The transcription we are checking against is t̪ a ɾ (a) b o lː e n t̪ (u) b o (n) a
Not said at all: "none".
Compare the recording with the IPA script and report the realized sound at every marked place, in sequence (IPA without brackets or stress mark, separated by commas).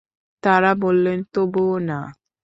a, o, n